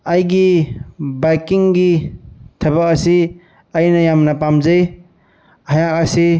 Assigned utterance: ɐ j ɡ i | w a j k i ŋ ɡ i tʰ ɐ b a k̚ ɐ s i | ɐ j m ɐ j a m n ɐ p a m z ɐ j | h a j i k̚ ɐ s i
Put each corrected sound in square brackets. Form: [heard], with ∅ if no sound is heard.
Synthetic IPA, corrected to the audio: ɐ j ɡ i | [b] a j k i ŋ ɡ i tʰ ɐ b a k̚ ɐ s i | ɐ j [n] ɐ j a m n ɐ p a m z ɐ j | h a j [a] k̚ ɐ s i